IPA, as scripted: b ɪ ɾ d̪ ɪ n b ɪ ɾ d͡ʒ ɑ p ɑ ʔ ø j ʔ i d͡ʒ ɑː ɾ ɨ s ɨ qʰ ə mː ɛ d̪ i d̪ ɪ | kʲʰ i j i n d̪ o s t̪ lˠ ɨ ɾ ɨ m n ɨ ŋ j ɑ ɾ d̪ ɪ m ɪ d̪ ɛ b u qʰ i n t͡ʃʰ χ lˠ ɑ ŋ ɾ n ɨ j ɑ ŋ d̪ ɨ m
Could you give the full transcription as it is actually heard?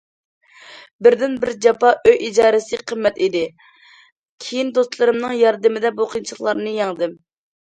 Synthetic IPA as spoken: b ɪ ɾ d̪ ɪ n b ɪ ɾ d͡ʒ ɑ p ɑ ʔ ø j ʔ i d͡ʒ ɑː ɾ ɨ s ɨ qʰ ə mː ɛ t̪ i d̪ ɪ | kʲʰ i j i n d̪ o s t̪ lˠ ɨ ɾ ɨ m n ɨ ŋ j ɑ ɾ d̪ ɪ m ɪ d̪ ɛ b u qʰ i n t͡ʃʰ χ lˠ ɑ ɾ n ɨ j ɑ ŋ d̪ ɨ m